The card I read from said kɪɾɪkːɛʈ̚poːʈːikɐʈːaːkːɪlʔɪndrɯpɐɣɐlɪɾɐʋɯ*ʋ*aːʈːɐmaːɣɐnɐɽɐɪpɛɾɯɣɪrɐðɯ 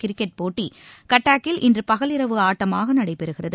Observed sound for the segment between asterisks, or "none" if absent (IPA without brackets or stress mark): none